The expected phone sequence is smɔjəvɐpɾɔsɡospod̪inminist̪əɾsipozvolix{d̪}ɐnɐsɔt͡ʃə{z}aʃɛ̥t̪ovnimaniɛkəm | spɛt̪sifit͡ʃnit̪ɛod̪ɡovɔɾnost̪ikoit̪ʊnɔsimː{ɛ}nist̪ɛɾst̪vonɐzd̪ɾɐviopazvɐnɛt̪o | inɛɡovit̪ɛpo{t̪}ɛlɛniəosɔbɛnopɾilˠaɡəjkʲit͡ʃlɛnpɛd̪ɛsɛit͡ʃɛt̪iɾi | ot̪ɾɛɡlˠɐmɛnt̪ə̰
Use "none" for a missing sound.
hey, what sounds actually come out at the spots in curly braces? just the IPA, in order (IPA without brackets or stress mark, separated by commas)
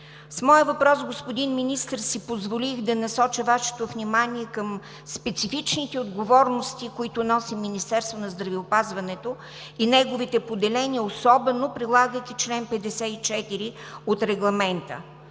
d̪, v, i, d̪